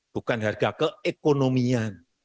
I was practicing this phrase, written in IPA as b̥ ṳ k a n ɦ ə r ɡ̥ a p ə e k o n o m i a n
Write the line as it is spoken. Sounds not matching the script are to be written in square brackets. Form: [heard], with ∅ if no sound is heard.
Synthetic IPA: b̥ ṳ k a n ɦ [a] r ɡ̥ a [k] ə e k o n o m i a n